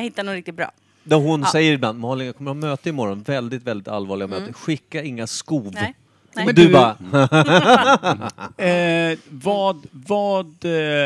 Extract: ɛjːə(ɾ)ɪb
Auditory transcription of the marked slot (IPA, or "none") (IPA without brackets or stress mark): ɾ